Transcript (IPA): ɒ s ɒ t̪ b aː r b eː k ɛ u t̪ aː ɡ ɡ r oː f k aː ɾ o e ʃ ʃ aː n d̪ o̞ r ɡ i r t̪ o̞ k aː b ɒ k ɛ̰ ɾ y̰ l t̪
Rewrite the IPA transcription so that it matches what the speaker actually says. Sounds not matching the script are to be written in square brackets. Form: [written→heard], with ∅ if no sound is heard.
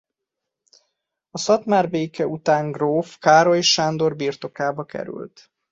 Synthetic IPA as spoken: ɒ s ɒ t̪ [b→m] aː r b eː k ɛ u t̪ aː [ɡ→ŋ] ɡ r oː f k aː ɾ o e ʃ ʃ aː n d̪ o̞ r [ɡ→b] i r t̪ o̞ k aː b ɒ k ɛ̰ ɾ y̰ l t̪